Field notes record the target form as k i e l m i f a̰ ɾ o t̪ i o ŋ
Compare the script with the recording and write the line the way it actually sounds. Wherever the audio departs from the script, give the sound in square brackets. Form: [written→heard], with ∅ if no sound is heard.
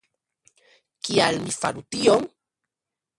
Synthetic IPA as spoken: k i [e→a] l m i f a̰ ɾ [o→u] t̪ i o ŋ